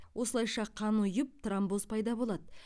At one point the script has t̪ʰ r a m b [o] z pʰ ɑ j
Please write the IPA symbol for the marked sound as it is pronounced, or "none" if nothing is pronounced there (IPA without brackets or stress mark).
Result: o